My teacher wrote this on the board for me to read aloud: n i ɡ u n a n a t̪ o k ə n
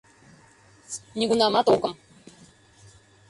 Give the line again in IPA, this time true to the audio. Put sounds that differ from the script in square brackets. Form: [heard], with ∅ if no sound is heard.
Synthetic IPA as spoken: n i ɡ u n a [m] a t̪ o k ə [m]